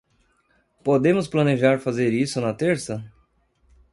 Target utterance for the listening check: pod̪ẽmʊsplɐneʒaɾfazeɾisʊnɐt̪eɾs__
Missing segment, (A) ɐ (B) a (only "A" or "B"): A